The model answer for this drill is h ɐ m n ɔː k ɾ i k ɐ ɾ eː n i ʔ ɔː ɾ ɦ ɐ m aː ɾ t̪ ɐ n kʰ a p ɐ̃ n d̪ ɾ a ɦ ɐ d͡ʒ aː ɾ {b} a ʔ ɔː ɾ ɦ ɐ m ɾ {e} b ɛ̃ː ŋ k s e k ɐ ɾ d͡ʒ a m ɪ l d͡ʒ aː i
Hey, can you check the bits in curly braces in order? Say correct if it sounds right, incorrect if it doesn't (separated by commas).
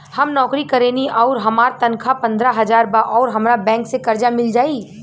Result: correct, incorrect